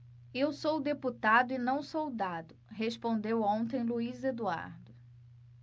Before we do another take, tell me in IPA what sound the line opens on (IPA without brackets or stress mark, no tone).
e